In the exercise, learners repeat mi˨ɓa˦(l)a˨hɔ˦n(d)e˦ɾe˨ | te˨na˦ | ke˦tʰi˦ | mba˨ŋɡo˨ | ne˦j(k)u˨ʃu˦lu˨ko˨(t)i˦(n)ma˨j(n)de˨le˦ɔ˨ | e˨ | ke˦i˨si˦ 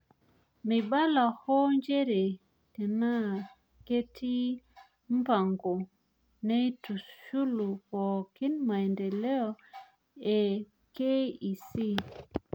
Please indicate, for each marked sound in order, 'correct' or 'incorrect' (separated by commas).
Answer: correct, incorrect, incorrect, incorrect, correct, correct